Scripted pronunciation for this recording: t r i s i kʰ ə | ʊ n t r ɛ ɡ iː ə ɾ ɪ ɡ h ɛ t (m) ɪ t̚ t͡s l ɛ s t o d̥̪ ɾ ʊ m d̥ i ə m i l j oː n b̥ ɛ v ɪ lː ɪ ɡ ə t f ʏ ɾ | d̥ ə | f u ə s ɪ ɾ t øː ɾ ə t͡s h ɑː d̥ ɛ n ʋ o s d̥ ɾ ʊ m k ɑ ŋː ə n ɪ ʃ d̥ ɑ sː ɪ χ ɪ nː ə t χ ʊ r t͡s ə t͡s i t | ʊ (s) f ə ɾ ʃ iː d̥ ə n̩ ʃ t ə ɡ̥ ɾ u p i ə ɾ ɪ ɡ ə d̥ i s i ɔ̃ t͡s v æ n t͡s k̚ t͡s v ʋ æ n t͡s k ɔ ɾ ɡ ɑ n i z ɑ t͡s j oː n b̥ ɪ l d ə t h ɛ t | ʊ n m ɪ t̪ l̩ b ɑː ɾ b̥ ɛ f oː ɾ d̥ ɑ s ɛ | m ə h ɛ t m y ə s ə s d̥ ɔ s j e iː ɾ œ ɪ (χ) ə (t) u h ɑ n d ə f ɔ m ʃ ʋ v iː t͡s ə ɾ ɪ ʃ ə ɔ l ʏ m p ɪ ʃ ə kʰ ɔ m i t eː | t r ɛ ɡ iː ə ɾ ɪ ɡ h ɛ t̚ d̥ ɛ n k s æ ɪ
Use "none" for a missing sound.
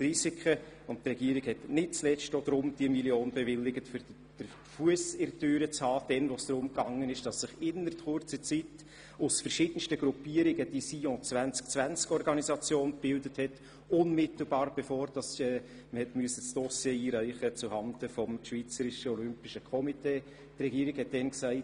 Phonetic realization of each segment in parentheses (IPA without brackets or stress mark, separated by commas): n, s, χ, t͡s